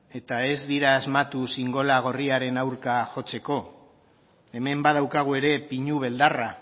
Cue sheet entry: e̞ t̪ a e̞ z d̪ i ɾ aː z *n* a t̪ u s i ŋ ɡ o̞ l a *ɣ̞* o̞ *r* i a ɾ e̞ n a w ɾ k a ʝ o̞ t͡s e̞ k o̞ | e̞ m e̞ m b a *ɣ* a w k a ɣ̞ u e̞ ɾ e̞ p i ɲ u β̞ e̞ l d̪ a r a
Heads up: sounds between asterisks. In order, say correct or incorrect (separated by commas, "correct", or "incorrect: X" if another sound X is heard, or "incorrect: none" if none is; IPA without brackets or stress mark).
incorrect: m, correct, correct, incorrect: ð